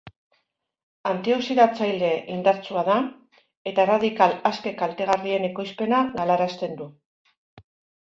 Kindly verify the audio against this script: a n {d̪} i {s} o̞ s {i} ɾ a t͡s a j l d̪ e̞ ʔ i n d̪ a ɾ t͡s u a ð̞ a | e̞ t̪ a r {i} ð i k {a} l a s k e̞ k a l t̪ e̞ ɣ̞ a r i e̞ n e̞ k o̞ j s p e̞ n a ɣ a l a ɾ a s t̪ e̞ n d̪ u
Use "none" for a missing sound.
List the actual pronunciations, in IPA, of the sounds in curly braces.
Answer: t̪, none, i, a, a

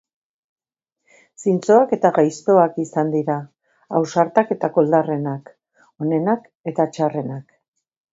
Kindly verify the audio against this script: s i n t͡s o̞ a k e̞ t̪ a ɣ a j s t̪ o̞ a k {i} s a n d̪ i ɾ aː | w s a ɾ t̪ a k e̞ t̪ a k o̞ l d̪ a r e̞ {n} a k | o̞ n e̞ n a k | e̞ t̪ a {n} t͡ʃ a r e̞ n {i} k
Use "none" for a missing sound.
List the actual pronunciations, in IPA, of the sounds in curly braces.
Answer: i, n, none, a

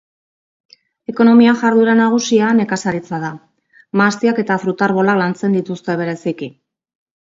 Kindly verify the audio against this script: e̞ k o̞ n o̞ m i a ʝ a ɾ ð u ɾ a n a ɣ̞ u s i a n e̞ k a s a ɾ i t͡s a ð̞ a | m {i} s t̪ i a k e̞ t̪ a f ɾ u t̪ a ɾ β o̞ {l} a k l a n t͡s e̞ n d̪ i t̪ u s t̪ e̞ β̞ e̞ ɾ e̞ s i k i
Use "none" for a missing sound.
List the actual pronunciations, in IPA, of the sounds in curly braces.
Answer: a, l

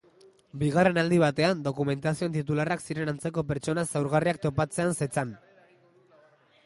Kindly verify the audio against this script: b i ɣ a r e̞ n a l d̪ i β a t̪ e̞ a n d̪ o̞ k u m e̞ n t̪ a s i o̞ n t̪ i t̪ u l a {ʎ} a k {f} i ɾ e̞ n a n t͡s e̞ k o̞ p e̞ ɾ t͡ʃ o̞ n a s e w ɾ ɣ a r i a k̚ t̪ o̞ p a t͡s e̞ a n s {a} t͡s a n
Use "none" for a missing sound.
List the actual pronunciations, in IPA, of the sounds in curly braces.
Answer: r, s, e

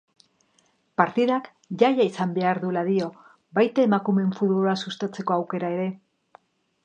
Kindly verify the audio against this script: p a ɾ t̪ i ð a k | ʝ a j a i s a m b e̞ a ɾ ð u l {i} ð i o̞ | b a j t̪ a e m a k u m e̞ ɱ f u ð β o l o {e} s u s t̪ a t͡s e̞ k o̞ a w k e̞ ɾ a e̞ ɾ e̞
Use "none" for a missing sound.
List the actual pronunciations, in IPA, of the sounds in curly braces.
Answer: a, a

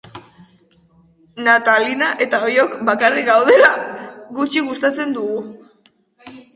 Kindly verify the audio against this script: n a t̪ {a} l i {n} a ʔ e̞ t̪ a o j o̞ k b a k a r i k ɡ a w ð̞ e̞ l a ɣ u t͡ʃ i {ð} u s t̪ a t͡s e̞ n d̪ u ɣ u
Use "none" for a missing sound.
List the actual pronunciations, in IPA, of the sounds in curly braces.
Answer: a, n, ɣ

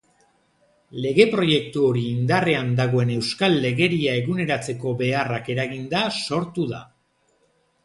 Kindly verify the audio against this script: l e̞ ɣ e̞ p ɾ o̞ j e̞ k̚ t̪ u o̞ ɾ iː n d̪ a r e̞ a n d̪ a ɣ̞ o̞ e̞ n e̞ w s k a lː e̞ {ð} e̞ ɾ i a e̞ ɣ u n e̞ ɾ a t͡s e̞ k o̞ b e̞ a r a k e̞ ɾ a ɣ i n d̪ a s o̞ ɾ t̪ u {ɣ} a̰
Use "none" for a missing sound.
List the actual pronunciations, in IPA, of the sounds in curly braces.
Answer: ɣ, ð

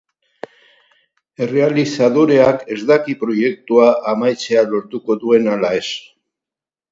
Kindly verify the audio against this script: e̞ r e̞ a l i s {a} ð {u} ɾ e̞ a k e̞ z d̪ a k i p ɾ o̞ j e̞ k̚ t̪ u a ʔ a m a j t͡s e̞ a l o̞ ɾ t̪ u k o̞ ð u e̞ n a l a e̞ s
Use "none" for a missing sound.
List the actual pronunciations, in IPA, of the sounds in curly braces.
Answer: a, o

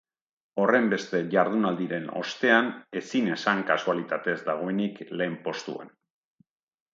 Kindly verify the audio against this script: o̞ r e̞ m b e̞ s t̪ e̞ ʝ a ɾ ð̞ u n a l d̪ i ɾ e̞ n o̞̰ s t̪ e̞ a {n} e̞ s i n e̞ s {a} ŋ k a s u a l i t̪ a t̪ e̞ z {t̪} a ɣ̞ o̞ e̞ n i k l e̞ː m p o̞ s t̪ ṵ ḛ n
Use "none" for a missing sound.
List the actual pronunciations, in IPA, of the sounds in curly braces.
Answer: n, a, d̪

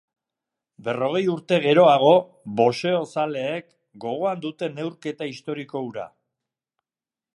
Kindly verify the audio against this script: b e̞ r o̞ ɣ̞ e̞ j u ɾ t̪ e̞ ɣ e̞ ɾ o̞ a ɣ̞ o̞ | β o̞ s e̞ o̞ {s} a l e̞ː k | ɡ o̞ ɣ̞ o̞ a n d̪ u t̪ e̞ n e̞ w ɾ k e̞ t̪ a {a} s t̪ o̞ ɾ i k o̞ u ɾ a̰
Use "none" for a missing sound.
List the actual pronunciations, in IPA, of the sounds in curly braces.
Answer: s, i

